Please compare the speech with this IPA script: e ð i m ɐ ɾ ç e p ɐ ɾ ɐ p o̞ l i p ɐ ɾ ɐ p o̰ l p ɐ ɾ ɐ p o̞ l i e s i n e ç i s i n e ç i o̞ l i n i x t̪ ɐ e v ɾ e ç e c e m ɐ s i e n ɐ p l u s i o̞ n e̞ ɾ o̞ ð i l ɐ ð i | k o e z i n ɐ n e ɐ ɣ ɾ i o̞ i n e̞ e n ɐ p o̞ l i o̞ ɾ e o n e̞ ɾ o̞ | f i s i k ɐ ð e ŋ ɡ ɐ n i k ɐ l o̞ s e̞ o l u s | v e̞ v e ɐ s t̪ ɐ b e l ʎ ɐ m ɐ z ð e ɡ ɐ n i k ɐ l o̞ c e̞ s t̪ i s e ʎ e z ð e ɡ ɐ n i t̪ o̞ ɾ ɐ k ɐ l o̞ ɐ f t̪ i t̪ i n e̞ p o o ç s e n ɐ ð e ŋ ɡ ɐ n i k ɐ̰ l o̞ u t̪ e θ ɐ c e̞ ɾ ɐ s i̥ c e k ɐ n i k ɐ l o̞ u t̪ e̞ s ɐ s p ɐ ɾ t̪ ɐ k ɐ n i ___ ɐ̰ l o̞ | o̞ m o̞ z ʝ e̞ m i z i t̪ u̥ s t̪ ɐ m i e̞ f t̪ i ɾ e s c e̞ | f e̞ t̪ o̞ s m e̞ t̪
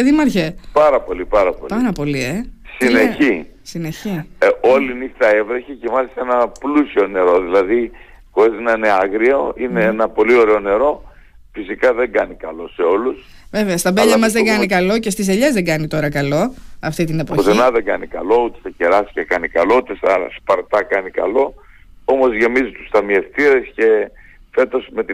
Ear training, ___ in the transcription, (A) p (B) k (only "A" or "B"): B